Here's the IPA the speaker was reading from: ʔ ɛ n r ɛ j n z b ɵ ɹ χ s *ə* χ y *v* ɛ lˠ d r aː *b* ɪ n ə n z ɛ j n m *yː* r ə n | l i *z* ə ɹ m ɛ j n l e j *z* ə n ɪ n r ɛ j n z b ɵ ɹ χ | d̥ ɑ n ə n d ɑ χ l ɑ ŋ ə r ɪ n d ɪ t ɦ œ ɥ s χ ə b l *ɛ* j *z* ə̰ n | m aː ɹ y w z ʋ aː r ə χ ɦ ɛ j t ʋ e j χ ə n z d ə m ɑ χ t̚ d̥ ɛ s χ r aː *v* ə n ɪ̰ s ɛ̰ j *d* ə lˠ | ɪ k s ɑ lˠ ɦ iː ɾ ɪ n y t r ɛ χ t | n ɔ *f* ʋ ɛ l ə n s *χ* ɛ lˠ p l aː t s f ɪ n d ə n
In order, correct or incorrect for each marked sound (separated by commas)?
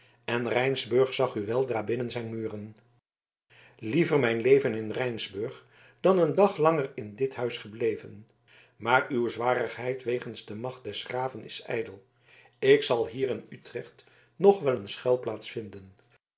incorrect, incorrect, correct, correct, incorrect, incorrect, incorrect, incorrect, correct, correct, incorrect, correct